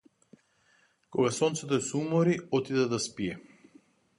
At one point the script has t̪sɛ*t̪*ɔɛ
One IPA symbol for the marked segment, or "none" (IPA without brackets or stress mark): t̪